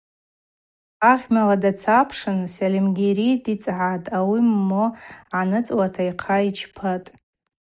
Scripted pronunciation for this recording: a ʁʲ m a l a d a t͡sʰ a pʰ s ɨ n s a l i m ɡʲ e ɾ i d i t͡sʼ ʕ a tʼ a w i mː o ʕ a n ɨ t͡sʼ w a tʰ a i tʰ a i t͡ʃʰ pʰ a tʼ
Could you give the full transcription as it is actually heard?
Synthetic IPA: a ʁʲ m a l a d a t͡sʰ a pʰ ʂ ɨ n s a l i m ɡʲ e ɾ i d i t͡sʼ ʕ a tʼ a w i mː o ʕ a n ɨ t͡sʼ w a tʰ a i qʰ a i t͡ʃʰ pʰ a tʼ

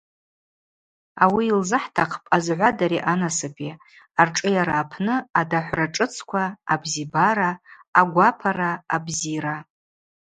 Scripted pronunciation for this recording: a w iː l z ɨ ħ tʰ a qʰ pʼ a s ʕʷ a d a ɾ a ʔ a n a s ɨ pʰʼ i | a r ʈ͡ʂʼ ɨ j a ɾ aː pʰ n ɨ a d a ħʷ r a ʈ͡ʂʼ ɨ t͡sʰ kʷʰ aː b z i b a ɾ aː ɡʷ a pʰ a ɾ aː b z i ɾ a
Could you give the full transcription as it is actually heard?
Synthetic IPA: a w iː l z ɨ ħ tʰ a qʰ pʼ a z ʕʷ a d a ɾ i ʔ a n a s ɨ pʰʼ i | a r ʈ͡ʂʼ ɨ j a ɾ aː pʰ n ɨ a d a ħʷ r a ʈ͡ʂʼ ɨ t͡sʰ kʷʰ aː b z i b a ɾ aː ɡʷ a pʰ a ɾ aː b z i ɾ a

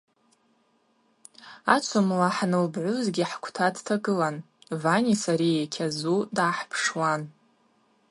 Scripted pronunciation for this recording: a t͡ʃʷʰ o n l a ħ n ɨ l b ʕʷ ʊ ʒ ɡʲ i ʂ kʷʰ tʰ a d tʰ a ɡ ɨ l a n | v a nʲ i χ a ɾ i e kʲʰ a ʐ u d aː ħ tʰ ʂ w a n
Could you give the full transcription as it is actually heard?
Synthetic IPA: a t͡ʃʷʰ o m l a ħ n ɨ l b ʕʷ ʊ z ɡʲ i ħ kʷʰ tʰ a d tʰ a ɡ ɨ l a n | v a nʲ i s a ɾ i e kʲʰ a z u d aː ħ pʰ ʂ w a n

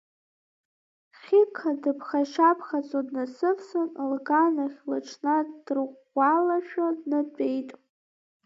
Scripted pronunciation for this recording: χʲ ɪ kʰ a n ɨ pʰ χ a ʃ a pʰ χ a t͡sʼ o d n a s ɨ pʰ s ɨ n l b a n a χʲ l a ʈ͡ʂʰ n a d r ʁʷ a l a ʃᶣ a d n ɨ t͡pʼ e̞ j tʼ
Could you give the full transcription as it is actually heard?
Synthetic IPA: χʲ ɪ kʰ a d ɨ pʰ χ a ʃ a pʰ χ a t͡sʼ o d n a s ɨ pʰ s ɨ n l ɡ a n a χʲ l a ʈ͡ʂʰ n a d r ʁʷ a l a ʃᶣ a d n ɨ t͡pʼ e̞ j tʼ

